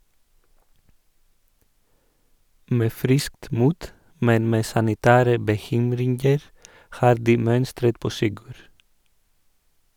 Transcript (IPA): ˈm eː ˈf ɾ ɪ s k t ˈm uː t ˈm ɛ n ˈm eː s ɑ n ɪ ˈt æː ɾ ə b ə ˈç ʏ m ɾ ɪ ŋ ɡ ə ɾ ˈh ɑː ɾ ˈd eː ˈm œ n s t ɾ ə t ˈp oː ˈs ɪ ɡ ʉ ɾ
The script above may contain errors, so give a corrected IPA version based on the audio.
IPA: ˈm eː ˈf ɾ ɪ s k t ˈm uː t ˈm ɛ n ˈm eː s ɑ n ɪ ˈt æː ɾ ə b ə ˈç ʏ m ɾ ɪ ŋ ɡ ə ɾ ˈh ɑː ɾ ˈd iː ˈm œ n s t ɾ ə t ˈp oː ˈs ɪ ɡ ʉ ɾ

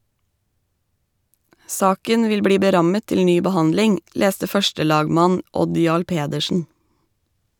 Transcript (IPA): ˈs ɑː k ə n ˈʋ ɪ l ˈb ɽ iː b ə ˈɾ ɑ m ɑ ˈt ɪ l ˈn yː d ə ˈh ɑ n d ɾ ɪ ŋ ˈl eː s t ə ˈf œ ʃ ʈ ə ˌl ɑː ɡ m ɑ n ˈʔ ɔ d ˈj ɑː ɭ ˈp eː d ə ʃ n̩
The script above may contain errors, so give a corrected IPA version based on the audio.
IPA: ˈs ɑː k ə n ˈʋ ɪ l ˈb ɽ iː b ə ˈɾ ɑ m ə ˈt ɪ l ˈn yː b ə ˈh ɑ n d l ɪ ŋ ˈl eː s t ə ˈf œ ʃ ʈ ə ˌl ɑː ɡ m ɑ n ˈʔ ɔ d ˈj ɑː ɭ ˈp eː d ə ʃ n̩

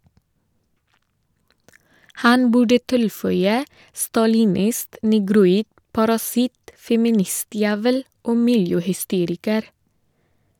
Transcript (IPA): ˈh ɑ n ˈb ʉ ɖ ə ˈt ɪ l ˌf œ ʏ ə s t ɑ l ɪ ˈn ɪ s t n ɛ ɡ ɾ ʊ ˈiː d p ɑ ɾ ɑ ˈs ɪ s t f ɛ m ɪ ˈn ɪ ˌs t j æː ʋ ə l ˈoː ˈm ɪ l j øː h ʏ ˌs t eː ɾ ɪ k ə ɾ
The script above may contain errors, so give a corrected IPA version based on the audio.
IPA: ˈh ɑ n ˈb ʉ ɖ ə ˈt ɪ l ˌf œ ʏ ə s t ɑ l ɪ ˈn ɪ s t n ɛ ɡ ɾ ʊ ˈiː d p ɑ ɾ ɑ ˈs ɪ t f ɛ m ɪ ˈn ɪ ˌs t j æː ʋ ə l ˈoː ˈm ɪ l j øː h ʏ ˌs t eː ɾ ɪ k ə ɾ

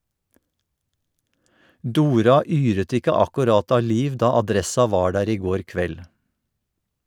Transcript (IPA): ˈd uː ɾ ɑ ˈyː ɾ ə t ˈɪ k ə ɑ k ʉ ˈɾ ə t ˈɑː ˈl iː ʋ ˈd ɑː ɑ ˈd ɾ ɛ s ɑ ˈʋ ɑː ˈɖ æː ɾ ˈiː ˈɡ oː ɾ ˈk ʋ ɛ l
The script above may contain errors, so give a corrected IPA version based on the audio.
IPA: ˈd uː ɾ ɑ ˈyː ɾ ə t ˈɪ k ə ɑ k ʉ ˈɾ ɑ t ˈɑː ˈl iː ʋ ˈd ɑː ɑ ˈd ɾ ɛ s ɑ ˈʋ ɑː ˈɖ æː ɾ ˈiː ˈɡ oː ɾ ˈk ʋ ɛ l

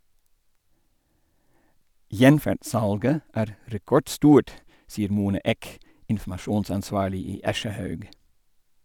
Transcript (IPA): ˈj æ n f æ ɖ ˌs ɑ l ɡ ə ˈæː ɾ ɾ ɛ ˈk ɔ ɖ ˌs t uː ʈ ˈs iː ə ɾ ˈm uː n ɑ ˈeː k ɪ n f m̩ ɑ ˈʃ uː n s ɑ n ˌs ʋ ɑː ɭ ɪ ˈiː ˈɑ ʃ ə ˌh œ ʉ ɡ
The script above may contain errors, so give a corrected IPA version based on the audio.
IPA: ˈj ɛ n f æ ɖ ˌs ɑ l ɡ ə ˈæː ɾ ɾ ɛ ˈk ɔ ɖ ˌs t uː ʈ ˈs iː ə ɾ ˈm uː n ɑ ˈeː k ɪ n f m̩ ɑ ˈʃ uː n s ɑ n ˌs ʋ ɑː ɭ ɪ ˈiː ˈɑ ʃ ə ˌh œ ʉ ɡ

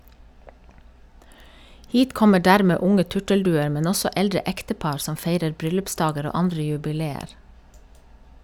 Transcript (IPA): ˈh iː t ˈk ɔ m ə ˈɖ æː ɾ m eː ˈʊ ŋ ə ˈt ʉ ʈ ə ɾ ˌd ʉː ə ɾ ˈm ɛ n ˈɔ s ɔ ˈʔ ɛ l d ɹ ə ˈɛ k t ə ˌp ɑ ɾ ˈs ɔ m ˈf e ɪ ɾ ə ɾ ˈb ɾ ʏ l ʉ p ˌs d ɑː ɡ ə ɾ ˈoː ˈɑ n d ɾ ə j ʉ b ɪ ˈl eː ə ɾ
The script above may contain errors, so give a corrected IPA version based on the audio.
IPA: ˈh iː t ˈk ɔ m ə ˈɖ æː ɾ m eː ˈʊ ŋ ə ˈt ʉ ʈ ə l ˌd ʉː ə ɾ ˈm ɛ n ˈɔ s ɔ ˈʔ ɛ l d ɹ ə ˈɛ k t ə ˌp ɑ ɾ ˈs ɔ m ˈf e ɪ ɾ ə ɾ ˈb ɾ ʏ l ʉ p ˌs d ɑː ɡ ə ɾ ˈoː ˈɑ n d ɾ ə j ʉ b ɪ ˈl eː ə ɾ

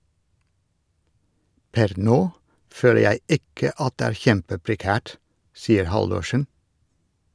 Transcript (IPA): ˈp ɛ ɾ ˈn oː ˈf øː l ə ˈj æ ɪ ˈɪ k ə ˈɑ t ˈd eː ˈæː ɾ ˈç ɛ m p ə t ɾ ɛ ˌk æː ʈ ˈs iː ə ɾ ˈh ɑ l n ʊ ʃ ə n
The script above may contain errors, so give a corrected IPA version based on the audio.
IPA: ˈp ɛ ɾ ˈn oː ˈf øː l ə ˈj æ ɪ ˈɪ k ə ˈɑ t ˈd eː ˈæː ɾ ˈç ɛ m p ə p ɾ ɛ ˌk æː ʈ ˈs iː ə ɾ ˈh ɑ l d ʊ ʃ ə n

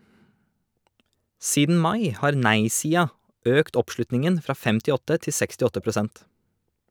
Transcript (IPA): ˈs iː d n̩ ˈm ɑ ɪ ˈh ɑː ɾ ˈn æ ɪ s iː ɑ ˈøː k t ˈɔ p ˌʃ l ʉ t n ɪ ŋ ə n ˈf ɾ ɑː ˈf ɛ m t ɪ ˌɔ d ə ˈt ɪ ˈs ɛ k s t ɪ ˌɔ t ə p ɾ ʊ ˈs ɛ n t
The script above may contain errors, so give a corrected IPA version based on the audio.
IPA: ˈs iː d n̩ ˈm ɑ ɪ ˈh ɑː ɾ ˈn æ ɪ s iː ɑ ˈøː k t ˈɔ p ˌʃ l ʉ t n ɪ ŋ ə n ˈf ɾ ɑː ˈf ɛ m t ɪ ˌɔ t ə ˈt ɪ ˈs ɛ k s t ɪ ˌɔ t ə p ɾ ʊ ˈs ɛ n t

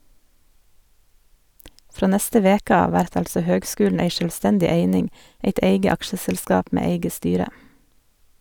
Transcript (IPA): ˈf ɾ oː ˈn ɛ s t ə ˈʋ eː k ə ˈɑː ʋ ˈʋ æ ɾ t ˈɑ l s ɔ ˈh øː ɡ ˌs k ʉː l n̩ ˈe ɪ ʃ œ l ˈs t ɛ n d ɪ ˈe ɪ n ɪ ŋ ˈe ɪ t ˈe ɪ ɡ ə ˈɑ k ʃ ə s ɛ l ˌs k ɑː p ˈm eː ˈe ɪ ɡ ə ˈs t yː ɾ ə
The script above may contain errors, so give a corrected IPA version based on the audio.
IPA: ˈf ɾ oː ˈn ɛ s t ə ˈʋ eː k ə ˈɑː ʋ ˈʋ æ ɾ t ˈɑ l s ɔ ˈh øː ɡ ˌs k ʉː l n̩ ˈe ɪ ʃ œ l ˈs t ɛ n d ɪ ˈe ɪ n ɪ ŋ ˈe ɪ t ˈe ɪ ɡ ə ˈɑ k ʃ ə s ɛ l ˌs k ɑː p ˈm eː ˈe ɪ ɡ ə ˈs t yː ɾ ə

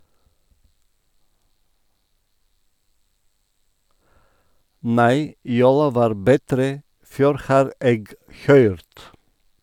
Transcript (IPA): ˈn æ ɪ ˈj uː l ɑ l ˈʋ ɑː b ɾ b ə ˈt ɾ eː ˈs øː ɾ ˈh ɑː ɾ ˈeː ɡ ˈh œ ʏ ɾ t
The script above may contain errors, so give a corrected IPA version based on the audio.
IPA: ˈn æ ɪ ˈj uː l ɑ ˈʋ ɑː ɾ b ə ˈt ɾ eː ˈf øː ɾ ˈh ɑː ɾ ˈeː ɡ ˈh œ ʏ ɾ t

